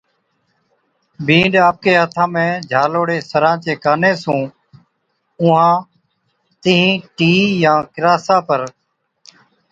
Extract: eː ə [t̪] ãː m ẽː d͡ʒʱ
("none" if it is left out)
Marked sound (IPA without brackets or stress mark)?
t̪ʰ